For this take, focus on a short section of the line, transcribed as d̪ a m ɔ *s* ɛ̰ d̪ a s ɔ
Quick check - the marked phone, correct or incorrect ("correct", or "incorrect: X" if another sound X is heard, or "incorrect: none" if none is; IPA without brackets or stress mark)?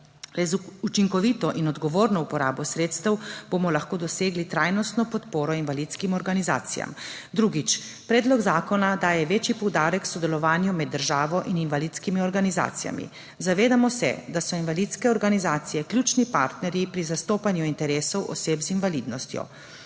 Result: correct